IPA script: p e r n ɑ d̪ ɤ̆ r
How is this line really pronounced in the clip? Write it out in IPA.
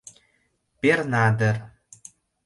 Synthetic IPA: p e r n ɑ d̪ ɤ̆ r